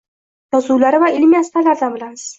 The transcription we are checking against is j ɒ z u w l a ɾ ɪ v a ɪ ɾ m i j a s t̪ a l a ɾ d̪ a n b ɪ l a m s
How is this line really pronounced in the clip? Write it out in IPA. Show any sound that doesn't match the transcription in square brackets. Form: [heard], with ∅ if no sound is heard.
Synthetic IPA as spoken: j ɒ z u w l a ɾ ɪ v a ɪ [l] m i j a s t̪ a l a ɾ d̪ a n b ɪ l a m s